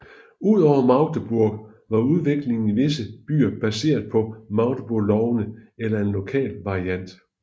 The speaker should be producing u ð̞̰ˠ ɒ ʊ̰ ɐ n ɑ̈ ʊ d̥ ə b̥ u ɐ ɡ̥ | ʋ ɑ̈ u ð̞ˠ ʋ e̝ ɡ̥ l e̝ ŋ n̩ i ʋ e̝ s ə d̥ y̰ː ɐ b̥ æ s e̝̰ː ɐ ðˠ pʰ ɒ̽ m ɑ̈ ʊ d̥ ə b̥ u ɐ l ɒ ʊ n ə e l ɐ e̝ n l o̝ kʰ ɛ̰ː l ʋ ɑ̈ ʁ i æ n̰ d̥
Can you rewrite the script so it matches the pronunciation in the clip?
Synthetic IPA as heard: u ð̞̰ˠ ɒ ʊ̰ ɐ m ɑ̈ ʊ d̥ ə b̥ u ɐ ɡ̥ | ʋ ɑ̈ u ð̞ˠ ʋ e̝ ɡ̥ l e̝ ŋ n̩ i ʋ e̝ s ə b̥ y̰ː ɐ b̥ æ s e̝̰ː ɐ ðˠ pʰ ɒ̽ m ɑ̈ ʊ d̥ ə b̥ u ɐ l ɒ ʊ n ə e l ɐ e̝ n l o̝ kʰ ɛ̰ː l ʋ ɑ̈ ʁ i æ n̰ d̥